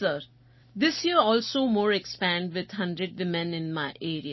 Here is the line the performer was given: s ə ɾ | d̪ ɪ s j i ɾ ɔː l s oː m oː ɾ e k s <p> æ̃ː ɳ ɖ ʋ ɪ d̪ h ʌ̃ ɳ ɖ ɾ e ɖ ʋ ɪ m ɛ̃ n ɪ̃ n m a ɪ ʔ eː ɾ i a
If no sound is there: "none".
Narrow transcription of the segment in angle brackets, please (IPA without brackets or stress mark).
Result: p